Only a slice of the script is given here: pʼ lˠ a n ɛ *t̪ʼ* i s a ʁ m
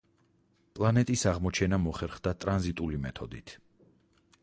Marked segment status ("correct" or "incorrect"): correct